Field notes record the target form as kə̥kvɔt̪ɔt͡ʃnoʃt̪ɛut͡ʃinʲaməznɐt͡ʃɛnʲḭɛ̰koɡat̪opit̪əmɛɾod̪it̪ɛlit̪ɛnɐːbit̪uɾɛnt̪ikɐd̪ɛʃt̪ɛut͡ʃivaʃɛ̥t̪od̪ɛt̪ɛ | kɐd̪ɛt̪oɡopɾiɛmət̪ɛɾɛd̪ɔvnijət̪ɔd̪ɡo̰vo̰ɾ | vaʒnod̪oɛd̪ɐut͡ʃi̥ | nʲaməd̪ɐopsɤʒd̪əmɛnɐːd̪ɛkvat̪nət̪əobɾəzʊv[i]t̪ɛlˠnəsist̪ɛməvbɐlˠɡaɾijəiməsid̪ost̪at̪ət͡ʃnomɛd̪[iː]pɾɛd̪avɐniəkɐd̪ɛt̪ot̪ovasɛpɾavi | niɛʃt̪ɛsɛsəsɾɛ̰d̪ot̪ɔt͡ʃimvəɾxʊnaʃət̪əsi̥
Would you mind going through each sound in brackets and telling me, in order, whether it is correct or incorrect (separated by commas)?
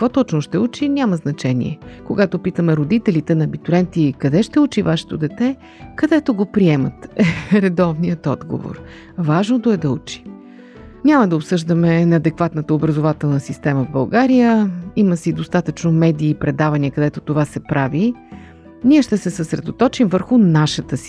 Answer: incorrect, correct